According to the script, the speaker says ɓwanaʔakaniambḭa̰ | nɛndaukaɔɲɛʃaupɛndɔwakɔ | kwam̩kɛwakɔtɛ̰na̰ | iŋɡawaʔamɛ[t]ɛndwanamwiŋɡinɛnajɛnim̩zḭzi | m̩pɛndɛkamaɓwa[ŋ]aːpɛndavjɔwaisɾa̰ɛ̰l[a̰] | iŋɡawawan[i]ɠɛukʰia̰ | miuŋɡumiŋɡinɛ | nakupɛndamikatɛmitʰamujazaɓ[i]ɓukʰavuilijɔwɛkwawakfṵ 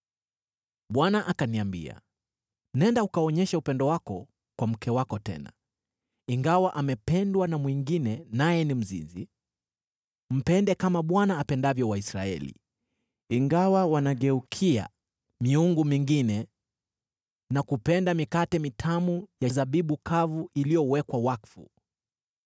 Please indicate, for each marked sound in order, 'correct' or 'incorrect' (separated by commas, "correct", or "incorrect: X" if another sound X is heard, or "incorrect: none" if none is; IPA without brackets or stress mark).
incorrect: p, incorrect: n, incorrect: ḭ, incorrect: a, correct